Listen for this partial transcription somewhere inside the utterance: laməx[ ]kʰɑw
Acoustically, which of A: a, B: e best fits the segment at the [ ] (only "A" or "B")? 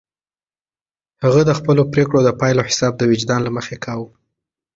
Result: B